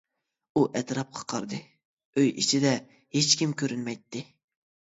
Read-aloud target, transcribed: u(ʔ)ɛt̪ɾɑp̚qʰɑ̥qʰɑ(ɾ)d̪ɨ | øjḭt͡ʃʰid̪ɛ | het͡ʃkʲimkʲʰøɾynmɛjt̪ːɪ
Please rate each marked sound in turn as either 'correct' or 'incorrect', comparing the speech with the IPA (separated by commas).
correct, correct